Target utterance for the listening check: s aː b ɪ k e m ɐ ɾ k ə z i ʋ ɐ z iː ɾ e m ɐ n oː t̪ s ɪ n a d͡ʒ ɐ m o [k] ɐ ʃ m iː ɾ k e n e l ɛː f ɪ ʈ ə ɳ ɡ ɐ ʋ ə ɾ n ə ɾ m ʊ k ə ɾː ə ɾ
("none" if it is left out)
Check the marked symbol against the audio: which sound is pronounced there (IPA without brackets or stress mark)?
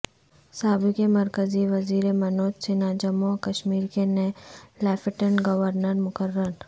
k